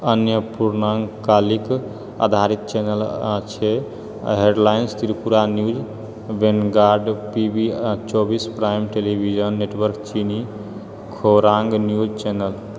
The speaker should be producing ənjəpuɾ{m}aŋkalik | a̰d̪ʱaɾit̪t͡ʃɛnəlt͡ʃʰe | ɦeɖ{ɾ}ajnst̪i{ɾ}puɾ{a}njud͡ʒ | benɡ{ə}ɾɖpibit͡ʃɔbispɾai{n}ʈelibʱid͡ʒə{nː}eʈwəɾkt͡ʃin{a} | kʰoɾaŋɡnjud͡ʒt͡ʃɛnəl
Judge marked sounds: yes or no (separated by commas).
no, no, yes, yes, no, no, yes, no